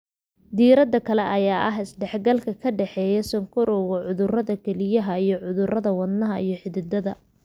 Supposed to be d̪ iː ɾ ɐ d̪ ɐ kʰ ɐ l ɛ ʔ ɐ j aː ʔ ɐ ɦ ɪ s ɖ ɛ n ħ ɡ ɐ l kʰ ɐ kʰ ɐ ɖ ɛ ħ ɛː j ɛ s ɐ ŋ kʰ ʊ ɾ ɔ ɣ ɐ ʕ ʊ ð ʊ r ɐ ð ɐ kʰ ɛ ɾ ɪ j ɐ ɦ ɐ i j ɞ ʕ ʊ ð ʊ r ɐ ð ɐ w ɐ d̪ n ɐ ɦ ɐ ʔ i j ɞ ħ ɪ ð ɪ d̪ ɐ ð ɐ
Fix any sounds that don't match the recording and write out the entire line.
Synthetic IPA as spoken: d̪ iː ɾ ɐ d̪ ɐ kʰ ɐ l ɛ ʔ ɐ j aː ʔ ɐ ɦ ɪ s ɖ ɛ ħ ɡ ɐ l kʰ ɐ kʰ ɐ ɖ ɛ ħ ɛː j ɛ s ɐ ŋ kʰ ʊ ɾ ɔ ɣ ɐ ʕ ʊ ð ʊ r ɐ ð ɐ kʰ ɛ l ɪ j ɐ ɦ ɐ i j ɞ ʕ ʊ ð ʊ r ɐ ð ɐ w ɐ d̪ n ɐ ɦ ɐ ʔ i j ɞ ħ ɪ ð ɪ d̪ ɐ ð ɐ

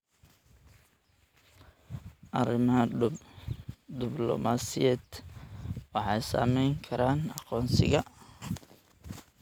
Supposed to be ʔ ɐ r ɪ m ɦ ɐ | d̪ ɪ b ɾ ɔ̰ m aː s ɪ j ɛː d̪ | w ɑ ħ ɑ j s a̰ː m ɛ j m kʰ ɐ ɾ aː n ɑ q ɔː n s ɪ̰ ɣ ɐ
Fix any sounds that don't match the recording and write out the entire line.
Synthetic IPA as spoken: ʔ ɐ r ɪ m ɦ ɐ | d̪ ɪ b l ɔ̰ m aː s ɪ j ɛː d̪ | w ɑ ħ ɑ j s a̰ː m ɛ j ŋ kʰ ɐ ɾ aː n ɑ q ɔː n s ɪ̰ ɣ ɐ

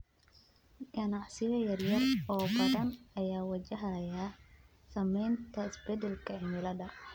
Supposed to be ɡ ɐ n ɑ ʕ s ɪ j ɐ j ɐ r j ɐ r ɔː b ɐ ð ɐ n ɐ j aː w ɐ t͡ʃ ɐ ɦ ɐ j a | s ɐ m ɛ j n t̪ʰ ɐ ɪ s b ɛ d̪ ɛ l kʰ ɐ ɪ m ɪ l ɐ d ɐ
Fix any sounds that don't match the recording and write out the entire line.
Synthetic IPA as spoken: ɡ ɐ n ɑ ʕ s ɪ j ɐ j ɐ r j ɐ r ɔː b ɐ ð ɐ n ɐ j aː w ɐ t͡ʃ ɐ ɦ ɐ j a | s ɐ m ɛ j n t̪ʰ ɐ ɪ s b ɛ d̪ ɛ l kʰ ɐ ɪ m ɪ l ɐ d ɐ

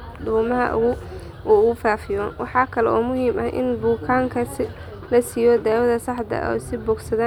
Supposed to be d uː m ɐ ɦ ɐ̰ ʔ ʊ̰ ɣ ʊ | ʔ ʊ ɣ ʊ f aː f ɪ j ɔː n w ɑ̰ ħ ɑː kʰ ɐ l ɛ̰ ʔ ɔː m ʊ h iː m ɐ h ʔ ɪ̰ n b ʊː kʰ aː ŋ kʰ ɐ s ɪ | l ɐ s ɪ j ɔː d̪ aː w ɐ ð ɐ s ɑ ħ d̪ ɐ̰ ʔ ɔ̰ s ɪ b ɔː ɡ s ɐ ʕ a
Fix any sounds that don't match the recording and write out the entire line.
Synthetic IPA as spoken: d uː m ɐ ɦ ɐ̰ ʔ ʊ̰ ɣ ʊ | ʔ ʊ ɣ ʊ f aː f ɪ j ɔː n w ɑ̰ ħ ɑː kʰ ɐ l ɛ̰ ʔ ɔː m ʊ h iː m ɐ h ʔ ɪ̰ n b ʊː kʰ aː ŋ kʰ ɐ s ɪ | l ɐ s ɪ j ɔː d̪ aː w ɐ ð ɐ s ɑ ħ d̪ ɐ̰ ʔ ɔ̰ s ɪ b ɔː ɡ s ɐ ð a

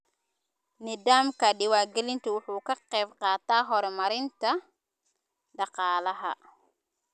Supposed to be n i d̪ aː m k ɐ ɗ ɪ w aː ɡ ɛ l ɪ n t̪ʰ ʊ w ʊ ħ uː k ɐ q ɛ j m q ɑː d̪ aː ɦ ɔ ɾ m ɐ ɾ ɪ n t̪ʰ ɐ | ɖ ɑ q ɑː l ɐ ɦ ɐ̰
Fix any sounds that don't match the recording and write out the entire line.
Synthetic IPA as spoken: n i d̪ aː m k ɐ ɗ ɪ w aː ɡ ɛ l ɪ n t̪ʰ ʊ w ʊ ħ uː k ɐ q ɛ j b q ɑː t̪ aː ɦ ɔ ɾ m ɐ ɾ ɪ n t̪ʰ ɐ | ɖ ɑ q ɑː l ɐ ɦ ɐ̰

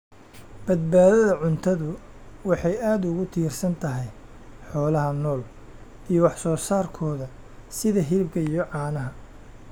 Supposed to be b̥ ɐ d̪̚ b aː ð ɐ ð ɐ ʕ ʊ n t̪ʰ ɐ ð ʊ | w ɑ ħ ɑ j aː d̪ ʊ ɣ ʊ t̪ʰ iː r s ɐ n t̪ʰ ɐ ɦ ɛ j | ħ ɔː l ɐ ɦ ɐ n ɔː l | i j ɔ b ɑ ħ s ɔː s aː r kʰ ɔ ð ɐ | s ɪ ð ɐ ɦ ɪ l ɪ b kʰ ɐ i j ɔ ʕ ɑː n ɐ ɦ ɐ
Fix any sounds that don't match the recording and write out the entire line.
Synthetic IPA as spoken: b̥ ɐ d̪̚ b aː ð ɐ ð ɐ ʕ ʊ n t̪ʰ ɐ ð ʊ | w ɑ ħ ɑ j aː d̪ ʊ ɣ ʊ t̪ʰ iː r s ɐ n t̪ʰ ɐ ɦ ɛ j | ħ ɔː l ɐ ɦ ɐ n ɔː l | i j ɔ w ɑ ħ s ɔː s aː r kʰ ɔː ð ɐ | s ɪ ð ɐ ɦ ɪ l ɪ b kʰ ɐ i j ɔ ʕ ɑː n ɐ ɦ ɐ

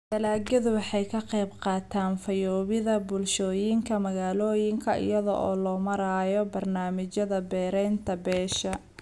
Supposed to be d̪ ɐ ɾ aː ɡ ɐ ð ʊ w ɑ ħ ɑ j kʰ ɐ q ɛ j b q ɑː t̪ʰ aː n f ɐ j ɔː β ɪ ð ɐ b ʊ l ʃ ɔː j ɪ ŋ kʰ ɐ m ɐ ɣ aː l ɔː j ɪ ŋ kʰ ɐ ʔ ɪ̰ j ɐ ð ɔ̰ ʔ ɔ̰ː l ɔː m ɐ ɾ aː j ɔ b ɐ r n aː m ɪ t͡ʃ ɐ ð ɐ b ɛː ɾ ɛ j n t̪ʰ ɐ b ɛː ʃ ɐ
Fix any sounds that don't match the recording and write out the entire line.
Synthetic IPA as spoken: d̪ ɐ l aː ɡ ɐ ð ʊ w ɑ ħ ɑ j kʰ ɐ q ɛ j b q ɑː t̪ʰ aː n f ɐ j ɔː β ɪ ð ɐ b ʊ l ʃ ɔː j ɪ ŋ kʰ ɐ m ɐ ɣ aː l ɔː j ɪ ŋ kʰ ɐ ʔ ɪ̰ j ɐ ð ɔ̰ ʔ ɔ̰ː l ɔː m ɐ ɾ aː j ɔ b ɐ r n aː m ɪ t͡ʃ ɐ ð ɐ b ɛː ɾ ɛ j n t̪ʰ ɐ b ɛː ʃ ɐ

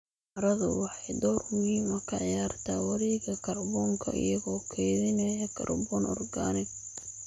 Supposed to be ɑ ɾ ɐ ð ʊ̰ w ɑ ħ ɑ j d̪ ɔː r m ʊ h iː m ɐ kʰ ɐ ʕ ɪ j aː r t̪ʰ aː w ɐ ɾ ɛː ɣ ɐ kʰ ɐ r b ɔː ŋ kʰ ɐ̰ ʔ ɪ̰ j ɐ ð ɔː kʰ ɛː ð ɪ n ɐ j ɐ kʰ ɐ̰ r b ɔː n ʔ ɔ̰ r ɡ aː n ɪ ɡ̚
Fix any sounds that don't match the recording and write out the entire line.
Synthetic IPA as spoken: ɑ ɾ ɐ ð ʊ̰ w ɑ ħ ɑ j d̪ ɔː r m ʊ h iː m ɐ kʰ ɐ ʕ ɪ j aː r t̪ʰ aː w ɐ ɾ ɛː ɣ ɐ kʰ ɐ r b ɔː ŋ kʰ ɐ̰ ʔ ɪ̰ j ɐ ɣ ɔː kʰ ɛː ð ɪ n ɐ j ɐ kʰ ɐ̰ r b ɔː n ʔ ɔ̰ r ɡ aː n ɪ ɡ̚

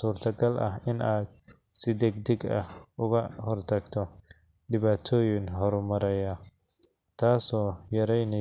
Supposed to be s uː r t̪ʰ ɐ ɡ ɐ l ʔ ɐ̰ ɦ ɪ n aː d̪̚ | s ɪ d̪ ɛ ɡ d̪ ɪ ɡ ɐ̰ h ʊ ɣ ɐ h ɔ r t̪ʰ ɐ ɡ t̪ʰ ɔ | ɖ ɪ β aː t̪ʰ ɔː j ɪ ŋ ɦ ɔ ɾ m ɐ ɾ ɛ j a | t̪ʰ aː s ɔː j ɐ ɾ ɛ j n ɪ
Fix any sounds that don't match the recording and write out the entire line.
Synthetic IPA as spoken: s uː r t̪ʰ ɐ ɡ ɐ l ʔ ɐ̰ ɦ ɪ n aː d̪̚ | s ɪ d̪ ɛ ɡ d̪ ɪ ɡ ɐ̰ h ʊ ɣ ɐ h ɔ r t̪ʰ ɐ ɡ t̪ʰ ɔ | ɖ ɪ β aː t̪ʰ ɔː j ɪ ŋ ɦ ɔ ɾ m ɐ ɾ ɛ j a | t̪ʰ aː s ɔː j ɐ ɾ ɛ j n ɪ

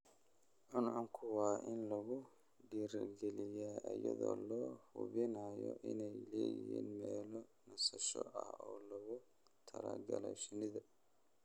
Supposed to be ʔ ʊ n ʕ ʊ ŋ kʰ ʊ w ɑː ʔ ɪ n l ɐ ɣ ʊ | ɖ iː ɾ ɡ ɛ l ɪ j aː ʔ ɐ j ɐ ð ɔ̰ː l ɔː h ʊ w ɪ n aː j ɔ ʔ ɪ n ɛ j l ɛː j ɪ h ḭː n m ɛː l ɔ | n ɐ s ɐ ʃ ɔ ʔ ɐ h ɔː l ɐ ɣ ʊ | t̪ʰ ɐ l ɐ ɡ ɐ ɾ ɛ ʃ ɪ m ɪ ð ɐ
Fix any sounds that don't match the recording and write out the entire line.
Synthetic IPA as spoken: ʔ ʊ n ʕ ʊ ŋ kʰ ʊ w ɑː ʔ ɪ n l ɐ ɣ ʊ | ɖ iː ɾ ɡ ɛ l ɪ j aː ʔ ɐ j ɐ ð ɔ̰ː l ɔː h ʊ β ɪ n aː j ɔ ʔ ɪ n ɛ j l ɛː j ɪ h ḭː n m ɛː l ɔ | n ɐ s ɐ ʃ ɔ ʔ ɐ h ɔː l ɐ ɣ ʊ | t̪ʰ ɐ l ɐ ɡ ɐ l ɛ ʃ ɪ n ɪ ð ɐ

